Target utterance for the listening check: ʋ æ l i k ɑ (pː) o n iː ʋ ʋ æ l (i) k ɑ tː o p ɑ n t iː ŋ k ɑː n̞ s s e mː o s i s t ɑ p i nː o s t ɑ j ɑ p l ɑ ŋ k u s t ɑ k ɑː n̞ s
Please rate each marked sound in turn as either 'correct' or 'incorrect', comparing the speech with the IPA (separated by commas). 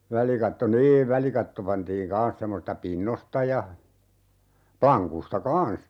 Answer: incorrect, correct